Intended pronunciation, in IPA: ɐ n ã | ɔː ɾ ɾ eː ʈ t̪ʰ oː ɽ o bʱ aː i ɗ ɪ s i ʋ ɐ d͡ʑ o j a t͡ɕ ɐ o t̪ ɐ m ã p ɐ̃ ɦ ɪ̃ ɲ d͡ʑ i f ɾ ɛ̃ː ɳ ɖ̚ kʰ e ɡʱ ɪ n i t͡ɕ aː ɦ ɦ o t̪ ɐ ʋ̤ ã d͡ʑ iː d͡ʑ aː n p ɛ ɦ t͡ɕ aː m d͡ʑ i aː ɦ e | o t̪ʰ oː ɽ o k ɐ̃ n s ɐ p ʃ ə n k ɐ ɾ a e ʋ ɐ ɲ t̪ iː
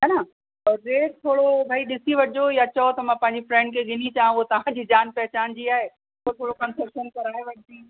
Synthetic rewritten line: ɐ n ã | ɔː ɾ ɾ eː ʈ t̪ʰ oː ɽ o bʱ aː i ɗ ɪ s i ʋ ɐ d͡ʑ o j a t͡ɕ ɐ o t̪ ɐ m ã p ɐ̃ ɦ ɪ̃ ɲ d͡ʑ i f ɾ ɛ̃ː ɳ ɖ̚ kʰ e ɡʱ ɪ n i t͡ɕ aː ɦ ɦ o t̪ ɐ ʋ̤ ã d͡ʑ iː d͡ʑ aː n p ɛ ɦ t͡ɕ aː n d͡ʑ i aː ɦ e | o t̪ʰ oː ɽ o k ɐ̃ n s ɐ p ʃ ə n k ɐ ɾ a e ʋ ɐ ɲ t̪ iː

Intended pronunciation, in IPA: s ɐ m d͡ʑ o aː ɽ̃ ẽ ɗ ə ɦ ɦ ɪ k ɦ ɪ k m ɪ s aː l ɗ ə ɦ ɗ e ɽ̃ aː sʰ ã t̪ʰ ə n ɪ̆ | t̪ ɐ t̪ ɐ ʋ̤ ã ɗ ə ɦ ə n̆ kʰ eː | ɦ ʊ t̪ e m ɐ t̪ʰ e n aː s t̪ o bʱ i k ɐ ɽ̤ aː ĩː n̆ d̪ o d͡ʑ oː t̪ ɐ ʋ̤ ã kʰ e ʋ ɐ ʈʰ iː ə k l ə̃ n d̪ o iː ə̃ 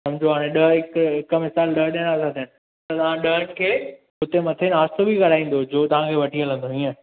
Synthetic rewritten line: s ɐ m d͡ʑ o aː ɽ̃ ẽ ɗ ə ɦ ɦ ɪ k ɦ ɪ k m ɪ s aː l ɗ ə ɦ ɗ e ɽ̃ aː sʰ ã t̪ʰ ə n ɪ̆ | t̪ ɐ t̪ ɐ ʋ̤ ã ɗ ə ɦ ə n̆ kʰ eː | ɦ ʊ t̪ e m ɐ t̪ʰ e n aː s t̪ o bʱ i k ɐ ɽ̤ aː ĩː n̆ d̪ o d͡ʑ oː t̪ ɐ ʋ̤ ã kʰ e ʋ ɐ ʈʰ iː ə l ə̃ n d̪ o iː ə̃

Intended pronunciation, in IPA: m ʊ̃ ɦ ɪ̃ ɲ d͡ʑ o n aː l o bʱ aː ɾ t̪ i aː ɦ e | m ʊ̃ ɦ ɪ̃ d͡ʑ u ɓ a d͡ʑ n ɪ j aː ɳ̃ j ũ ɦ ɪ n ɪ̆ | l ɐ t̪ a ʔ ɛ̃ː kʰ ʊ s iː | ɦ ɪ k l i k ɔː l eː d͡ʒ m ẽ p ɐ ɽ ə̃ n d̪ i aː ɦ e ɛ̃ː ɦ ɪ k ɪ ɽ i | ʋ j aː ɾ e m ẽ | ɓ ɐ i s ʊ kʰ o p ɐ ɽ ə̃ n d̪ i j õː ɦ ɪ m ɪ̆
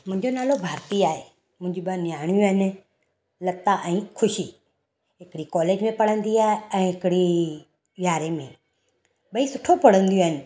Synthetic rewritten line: m ʊ̃ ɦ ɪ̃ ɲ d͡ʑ o n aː l o bʱ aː ɾ t̪ i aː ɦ e | m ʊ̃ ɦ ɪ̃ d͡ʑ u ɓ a n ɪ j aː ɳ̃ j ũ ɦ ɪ n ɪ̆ | l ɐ t̪ a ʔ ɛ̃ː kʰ ʊ ʃ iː | ɦ ɪ k ɽ i k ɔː l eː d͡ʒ m ẽ p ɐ ɽ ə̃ n d̪ i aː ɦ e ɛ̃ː ɦ ɪ k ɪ ɽ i | ʋ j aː ɾ e m ẽ | ɓ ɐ i s ʊ ʈʰ o p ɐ ɽ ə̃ n d̪ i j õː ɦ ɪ n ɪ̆

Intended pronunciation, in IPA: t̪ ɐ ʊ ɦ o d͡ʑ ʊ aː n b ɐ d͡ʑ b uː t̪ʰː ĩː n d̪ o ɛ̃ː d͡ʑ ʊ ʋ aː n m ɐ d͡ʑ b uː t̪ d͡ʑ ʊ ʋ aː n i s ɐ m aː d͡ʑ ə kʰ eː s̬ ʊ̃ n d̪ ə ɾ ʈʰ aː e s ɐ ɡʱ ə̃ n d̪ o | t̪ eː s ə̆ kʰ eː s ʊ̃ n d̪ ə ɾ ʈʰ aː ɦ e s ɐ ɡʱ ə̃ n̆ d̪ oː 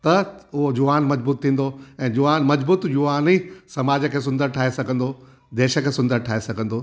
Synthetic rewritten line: t̪ ɐ ʊ ɦ o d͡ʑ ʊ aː n m ɐ d͡ʑ b uː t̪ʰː ĩː n d̪ o ɛ̃ː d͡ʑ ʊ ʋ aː n m ɐ d͡ʑ b uː t̪ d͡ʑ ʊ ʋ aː n i s ɐ m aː d͡ʑ ə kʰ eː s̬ ʊ̃ n d̪ ə ɾ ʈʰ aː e s ɐ ɡʱ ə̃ n d̪ o | d̪ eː ʃ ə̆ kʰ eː s ʊ̃ n d̪ ə ɾ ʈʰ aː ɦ e s ɐ ɡʱ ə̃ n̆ d̪ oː

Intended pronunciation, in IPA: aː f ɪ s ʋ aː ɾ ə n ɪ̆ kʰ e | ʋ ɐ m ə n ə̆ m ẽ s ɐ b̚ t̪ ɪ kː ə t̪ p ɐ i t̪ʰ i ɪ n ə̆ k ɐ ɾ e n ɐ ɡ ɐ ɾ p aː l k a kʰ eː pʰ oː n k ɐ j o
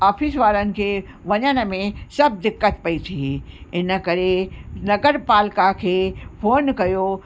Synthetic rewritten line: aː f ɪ s ʋ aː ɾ ə n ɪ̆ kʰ e | ʋ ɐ ɲ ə n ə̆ m ẽ s ɐ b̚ d̪ ɪ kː ə t̪ p ɐ i t̪ʰ i ɪ n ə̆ k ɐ ɾ e n ɐ ɡ ə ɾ p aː l k a kʰ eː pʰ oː n k ɐ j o

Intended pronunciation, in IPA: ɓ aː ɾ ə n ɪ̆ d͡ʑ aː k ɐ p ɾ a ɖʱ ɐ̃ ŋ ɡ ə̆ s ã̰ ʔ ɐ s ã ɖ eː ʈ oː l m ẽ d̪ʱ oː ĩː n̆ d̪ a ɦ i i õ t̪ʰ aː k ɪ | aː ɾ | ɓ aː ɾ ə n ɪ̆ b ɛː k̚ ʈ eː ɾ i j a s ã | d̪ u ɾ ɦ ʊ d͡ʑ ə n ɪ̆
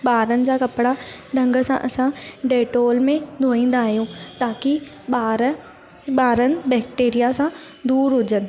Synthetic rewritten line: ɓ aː ɾ ə n ɪ̆ d͡ʑ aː k ɐ p ɽ a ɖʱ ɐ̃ ŋ ɡ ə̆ s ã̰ ʔ ɐ s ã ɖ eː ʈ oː l m ẽ d̪ʱ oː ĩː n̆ d̪ a ɦ i j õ t̪ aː k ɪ | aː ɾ | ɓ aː ɾ ə n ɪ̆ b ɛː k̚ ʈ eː ɾ i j a s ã | d̪ uː ɾ ɦ ʊ d͡ʑ ə n ɪ̆

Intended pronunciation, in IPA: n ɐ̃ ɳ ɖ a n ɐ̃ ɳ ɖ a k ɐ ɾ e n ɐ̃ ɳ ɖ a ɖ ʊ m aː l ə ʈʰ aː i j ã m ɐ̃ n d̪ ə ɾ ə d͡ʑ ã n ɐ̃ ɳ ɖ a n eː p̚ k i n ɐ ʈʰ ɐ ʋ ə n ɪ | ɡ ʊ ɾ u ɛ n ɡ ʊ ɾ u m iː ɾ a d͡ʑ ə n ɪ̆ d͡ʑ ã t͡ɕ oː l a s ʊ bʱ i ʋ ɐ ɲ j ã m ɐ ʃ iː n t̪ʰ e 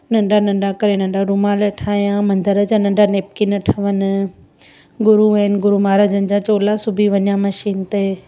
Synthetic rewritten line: n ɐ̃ ɳ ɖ a n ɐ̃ ɳ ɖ a k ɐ ɾ e n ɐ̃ ɳ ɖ a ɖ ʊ m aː l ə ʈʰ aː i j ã m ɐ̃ n d̪ ə ɾ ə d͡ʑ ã n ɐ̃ ɳ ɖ a n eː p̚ k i n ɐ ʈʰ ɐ ʋ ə n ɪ | ɡ ʊ ɾ u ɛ n ɡ ʊ ɾ u m aː ɾ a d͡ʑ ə n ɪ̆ d͡ʑ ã t͡ɕ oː l a s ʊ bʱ i ʋ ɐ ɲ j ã m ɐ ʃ iː n t̪ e

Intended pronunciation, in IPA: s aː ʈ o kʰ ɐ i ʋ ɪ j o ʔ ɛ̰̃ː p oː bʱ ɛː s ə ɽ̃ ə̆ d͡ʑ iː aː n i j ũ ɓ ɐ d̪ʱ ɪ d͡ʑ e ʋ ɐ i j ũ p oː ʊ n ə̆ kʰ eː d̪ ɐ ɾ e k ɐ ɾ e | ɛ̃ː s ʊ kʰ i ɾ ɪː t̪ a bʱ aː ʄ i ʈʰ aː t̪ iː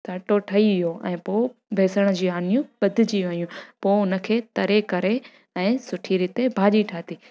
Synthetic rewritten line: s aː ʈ o ʈʰ ɐ i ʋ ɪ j o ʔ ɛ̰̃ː p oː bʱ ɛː s ə ɽ̃ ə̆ d͡ʑ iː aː n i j ũ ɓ ɐ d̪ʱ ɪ d͡ʑ i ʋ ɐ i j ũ p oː ʊ n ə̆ kʰ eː t̪ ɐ ɾ e k ɐ ɾ e | ɛ̃ː s ʊ ʈʰ i ɾ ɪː t̪ e bʱ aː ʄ i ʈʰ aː t̪ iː

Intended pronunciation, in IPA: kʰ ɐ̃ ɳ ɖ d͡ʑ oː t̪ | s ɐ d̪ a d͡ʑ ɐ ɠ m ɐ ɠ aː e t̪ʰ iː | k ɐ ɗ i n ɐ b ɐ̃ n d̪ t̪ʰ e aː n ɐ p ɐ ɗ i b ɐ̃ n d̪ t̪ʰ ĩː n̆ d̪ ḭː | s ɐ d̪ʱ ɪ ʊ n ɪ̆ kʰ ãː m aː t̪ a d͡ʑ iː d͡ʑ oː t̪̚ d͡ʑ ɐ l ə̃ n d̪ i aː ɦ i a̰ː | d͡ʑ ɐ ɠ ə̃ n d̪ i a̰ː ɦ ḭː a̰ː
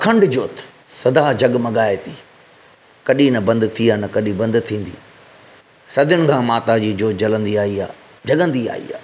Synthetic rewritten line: kʰ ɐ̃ ɳ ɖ d͡ʑ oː t̪ | s ɐ d̪ a d͡ʑ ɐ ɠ m ɐ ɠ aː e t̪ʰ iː | k ɐ ɗ i n ɐ b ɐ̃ n d̪ t̪ʰ i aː n ɐ k ɐ ɗ i b ɐ̃ n d̪ t̪ʰ ĩː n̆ d̪ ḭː | s ɐ d̪ʱ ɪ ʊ n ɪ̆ kʰ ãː m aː t̪ a d͡ʑ iː d͡ʑ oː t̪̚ d͡ʑ ɐ l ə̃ n d̪ i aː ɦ i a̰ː | d͡ʑ ɐ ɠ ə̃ n d̪ i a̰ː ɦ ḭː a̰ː

